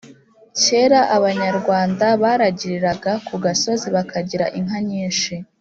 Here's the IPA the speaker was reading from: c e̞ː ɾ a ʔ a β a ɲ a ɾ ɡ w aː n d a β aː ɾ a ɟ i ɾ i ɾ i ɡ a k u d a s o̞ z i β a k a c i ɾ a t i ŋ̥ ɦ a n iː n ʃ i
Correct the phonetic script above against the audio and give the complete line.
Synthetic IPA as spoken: c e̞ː ɾ a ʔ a β a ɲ a ɾ ɡ w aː n d a β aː ɾ a ɟ i ɾ i ɾ a ɡ a k u ɡ a s o̞ z i β a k a ɟ i ɾ a ʔ i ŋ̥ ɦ a ɲ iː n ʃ i